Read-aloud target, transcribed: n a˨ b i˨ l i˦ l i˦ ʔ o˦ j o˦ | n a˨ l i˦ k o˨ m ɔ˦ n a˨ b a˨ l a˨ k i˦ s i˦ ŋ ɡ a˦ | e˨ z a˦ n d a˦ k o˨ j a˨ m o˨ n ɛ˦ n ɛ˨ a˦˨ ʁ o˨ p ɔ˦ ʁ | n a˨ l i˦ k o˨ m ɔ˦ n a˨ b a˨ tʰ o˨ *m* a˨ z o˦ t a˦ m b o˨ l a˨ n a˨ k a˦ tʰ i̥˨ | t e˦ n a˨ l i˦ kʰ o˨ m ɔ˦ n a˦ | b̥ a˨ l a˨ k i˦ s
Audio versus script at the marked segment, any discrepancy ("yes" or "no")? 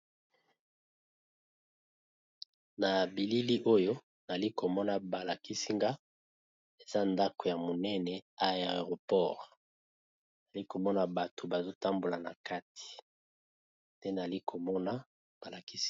yes